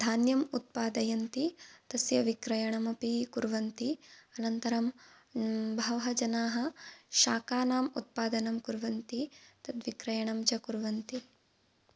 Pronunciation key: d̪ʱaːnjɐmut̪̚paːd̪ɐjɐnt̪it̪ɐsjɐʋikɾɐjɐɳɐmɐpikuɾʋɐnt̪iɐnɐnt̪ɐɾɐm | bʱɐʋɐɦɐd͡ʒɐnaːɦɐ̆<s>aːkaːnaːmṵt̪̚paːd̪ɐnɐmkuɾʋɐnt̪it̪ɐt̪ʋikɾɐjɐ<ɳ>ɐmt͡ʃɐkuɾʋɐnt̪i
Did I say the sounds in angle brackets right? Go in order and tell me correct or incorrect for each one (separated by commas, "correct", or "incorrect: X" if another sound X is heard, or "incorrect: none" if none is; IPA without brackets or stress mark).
incorrect: ʃ, correct